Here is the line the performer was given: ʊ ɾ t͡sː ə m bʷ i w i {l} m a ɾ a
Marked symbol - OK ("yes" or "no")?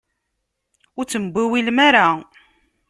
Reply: yes